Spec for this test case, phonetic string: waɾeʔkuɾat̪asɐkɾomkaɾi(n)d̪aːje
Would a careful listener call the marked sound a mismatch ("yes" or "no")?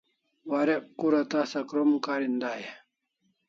no